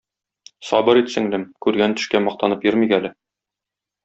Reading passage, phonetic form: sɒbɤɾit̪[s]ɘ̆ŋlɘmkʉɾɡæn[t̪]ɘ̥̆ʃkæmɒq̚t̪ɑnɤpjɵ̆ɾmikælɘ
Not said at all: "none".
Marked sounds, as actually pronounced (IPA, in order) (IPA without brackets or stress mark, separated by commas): s, t̪